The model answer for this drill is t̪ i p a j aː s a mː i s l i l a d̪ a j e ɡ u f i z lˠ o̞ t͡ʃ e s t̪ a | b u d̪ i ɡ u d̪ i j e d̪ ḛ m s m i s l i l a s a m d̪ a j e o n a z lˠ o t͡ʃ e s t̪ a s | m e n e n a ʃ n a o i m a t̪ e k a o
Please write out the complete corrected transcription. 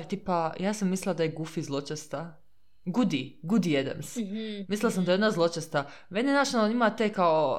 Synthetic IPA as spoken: t̪ i p a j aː s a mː i s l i l a d̪ a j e ɡ u f i z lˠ o̞ t͡ʃ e s t̪ a | ɡ u d̪ i ɡ u d̪ i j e d̪ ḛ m s m i s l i l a s a m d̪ a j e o n a z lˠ o t͡ʃ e s t̪ a | m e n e n a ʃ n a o i m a t̪ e k a o